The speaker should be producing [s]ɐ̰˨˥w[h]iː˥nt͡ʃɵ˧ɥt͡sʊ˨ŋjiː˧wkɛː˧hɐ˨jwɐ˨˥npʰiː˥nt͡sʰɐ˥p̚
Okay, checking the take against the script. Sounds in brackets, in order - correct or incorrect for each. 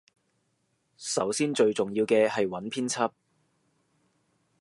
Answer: correct, incorrect: s

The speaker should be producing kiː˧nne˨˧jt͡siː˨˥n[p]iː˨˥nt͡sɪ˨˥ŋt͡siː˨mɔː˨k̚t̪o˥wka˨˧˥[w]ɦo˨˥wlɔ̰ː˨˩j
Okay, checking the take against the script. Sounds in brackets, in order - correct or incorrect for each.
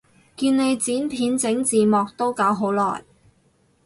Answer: incorrect: pʰ, correct

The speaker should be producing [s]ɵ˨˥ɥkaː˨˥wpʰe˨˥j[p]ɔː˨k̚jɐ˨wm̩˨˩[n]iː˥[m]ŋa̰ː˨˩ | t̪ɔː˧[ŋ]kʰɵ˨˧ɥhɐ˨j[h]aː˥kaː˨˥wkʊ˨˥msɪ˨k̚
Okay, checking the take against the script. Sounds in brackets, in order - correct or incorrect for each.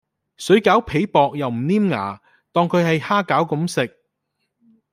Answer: correct, correct, correct, correct, correct, correct

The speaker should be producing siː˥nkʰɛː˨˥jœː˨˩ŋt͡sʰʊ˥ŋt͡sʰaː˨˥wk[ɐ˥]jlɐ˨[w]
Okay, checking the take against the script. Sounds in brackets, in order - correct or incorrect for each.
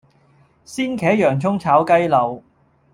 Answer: correct, correct

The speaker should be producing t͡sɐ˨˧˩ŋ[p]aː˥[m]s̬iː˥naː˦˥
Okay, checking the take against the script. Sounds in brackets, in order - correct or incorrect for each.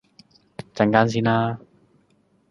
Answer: incorrect: k, incorrect: n

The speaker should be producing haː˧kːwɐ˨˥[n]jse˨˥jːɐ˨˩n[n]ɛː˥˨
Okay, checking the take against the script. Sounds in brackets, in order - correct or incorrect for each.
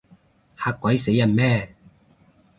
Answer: incorrect: none, incorrect: m

